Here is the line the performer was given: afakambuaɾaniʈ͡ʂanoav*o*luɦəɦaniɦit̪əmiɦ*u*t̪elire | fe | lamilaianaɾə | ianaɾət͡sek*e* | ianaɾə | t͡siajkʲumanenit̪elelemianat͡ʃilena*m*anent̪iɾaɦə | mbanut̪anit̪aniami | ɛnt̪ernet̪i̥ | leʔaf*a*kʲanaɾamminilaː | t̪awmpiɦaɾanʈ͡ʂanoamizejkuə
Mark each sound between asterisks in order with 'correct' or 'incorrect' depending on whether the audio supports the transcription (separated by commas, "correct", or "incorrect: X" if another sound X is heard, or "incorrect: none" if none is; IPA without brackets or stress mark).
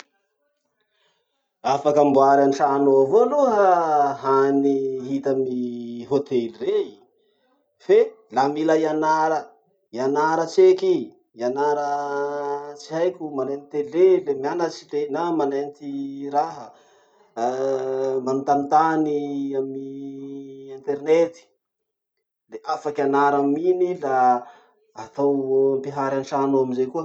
correct, incorrect: o, incorrect: i, correct, correct